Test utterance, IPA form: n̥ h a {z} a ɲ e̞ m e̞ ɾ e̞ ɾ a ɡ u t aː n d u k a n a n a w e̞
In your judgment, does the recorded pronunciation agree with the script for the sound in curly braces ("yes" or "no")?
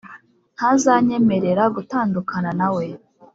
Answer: yes